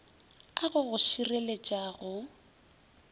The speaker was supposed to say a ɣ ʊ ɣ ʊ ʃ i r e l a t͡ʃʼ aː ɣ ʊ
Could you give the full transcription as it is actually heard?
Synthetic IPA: a ɣ ʊ ɣ ʊ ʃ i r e l e t͡ʃʼ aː ɣ ʊ